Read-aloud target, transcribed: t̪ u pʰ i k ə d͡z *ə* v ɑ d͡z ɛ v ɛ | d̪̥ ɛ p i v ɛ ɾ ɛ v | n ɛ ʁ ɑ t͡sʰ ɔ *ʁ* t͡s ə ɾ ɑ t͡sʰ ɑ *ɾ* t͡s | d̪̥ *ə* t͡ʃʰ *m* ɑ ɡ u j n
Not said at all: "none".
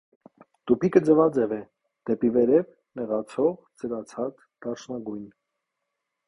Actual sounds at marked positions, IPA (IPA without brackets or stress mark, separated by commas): ə, ʁ, none, ɑ, n